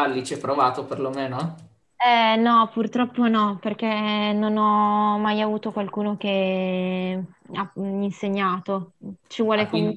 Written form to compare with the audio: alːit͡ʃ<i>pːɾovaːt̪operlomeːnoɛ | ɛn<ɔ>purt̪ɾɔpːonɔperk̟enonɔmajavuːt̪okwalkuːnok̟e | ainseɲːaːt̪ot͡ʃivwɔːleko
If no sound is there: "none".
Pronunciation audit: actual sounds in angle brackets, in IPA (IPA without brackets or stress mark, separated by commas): ɛ, ɔ